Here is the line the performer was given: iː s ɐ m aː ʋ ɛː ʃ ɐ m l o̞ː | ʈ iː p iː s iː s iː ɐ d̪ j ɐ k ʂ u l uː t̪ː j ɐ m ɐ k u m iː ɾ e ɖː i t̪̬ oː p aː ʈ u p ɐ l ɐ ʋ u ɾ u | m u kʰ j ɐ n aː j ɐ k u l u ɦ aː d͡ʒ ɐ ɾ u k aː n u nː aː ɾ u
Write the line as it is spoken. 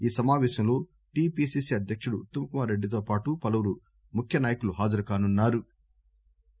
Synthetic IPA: iː s ɐ m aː ʋ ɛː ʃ ɐ m l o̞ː | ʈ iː p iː s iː s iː ɐ d̪ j ɐ k ʂ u ɽ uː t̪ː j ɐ m ɐ k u m aː ɾ e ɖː i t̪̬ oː p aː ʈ u p ɐ l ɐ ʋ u ɾ u | m u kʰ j ɐ n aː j ɐ k u l u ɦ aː d͡ʒ ɐ ɾ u k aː n u nː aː ɾ u